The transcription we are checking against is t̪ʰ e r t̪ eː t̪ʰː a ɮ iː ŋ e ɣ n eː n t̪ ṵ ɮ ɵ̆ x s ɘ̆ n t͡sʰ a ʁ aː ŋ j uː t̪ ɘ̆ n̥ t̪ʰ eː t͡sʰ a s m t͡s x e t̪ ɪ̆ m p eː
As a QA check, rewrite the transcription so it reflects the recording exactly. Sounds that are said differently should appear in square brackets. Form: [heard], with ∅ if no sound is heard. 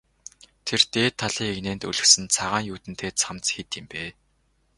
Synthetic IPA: t̪ʰ e r t̪ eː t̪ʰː a ɮ iː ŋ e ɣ n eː n t̪ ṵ ɮ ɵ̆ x s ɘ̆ n t͡sʰ a ʁ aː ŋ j uː t̪ ɘ̆ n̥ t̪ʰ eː t͡sʰ a [∅] m t͡s x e t̪ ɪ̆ m p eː

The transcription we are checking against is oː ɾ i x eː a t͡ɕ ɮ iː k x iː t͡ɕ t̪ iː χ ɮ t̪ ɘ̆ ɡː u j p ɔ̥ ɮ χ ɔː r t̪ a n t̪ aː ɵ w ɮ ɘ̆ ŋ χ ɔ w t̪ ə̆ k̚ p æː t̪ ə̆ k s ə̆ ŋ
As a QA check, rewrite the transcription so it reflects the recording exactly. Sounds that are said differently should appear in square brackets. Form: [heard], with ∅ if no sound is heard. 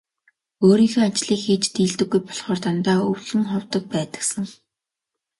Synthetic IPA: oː ɾ [iː] x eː a t͡ɕ ɮ iː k x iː t͡ɕ t̪ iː [∅] ɮ t̪ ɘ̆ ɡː u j p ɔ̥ ɮ χ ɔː r t̪ a n t̪ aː ɵ w ɮ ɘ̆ ŋ χ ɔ w t̪ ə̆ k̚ p æː t̪ ə̆ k s ə̆ ŋ

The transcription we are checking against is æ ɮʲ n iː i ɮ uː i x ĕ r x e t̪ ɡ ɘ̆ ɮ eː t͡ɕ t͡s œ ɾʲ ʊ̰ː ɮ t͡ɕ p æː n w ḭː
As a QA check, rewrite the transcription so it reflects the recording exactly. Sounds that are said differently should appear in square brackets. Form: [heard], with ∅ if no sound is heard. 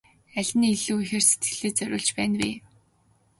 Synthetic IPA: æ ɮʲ n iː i ɮ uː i x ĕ r [s] e t̪ ɡ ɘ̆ ɮ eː [∅] t͡s œ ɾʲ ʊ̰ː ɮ t͡ɕ p æː n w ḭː

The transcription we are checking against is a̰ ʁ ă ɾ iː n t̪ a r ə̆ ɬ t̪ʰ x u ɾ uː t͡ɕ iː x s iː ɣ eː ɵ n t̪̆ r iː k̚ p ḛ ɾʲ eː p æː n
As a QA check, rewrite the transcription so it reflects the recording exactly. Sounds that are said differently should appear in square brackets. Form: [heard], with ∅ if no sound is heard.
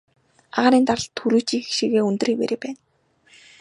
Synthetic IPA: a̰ ʁ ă ɾ iː n t̪ a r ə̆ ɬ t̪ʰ x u ɾ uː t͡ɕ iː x [ʃ] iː ɣ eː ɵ n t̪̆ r iː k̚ p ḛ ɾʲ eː p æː n

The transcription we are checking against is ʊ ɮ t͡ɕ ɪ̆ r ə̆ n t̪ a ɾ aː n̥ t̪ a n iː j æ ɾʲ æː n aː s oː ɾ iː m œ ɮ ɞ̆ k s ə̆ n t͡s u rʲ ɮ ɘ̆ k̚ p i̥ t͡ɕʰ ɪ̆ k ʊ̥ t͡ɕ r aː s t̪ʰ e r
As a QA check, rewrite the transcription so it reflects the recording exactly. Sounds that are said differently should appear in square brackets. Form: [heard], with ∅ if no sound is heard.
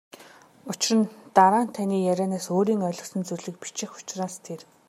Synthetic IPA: ʊ [∅] t͡ɕ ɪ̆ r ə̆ n t̪ a ɾ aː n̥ [t̪ʰ] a n iː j æ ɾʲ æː n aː s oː ɾ iː [ŋ] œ ɮ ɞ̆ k s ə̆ n t͡s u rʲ ɮ ɘ̆ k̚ p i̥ [t͡ɕ] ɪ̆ [x] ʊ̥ t͡ɕ r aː s t̪ʰ e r

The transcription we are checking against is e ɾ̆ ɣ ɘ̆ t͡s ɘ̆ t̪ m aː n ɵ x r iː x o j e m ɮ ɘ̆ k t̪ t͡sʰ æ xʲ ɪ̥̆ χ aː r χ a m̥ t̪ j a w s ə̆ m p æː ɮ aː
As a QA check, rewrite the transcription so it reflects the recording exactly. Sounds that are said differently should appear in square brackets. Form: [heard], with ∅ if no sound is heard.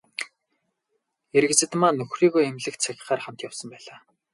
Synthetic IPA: e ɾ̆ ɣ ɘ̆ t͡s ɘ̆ t̪ m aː n ɵ x r iː [ɣ] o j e m ɮ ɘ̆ k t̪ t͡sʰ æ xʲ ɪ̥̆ χ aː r χ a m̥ t̪ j a w s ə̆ m p æː ɮ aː

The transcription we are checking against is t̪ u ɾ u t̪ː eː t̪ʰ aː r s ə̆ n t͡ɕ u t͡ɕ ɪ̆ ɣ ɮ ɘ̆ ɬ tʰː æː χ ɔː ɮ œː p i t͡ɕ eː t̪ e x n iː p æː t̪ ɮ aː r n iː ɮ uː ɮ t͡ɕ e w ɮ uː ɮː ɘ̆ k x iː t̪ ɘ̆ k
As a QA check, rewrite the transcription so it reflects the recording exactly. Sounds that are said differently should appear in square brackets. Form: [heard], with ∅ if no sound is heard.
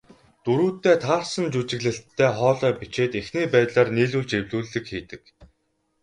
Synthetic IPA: t̪ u ɾ [uː] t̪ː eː t̪ʰ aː r s ə̆ n t͡ɕ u t͡ɕ ɪ̆ ɣ ɮ ɘ̆ ɬ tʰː æː χ ɔː ɮ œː p i t͡ɕ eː t̪ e x n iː p æː t̪ ɮ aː r n iː ɮ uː ɮ t͡ɕ e w ɮ uː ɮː ɘ̆ k x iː t̪ ɘ̆ k

